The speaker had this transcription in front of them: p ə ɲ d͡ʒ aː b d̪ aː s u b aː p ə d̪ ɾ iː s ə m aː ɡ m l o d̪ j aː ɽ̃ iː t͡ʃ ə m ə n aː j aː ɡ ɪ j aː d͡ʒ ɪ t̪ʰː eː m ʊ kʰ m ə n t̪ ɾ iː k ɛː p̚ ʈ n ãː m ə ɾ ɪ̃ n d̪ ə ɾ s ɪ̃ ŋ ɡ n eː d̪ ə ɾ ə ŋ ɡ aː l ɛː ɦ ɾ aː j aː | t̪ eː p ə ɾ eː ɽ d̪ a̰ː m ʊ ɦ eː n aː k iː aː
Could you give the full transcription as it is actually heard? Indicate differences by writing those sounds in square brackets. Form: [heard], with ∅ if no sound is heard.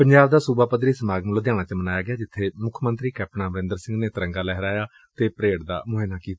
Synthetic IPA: p ə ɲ d͡ʒ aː b d̪ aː s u b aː p ə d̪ ɾ iː s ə m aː ɡ m l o d̪ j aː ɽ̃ [aː] t͡ʃ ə m ə n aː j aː ɡ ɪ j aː d͡ʒ ɪ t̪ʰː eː m ʊ kʰ m ə n t̪ ɾ iː k ɛː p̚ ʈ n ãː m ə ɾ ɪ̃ n d̪ ə ɾ s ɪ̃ ŋ ɡ n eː [t̪] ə ɾ ə ŋ ɡ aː l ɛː ɦ ɾ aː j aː | t̪ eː p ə ɾ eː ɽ d̪ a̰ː m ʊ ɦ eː n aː k iː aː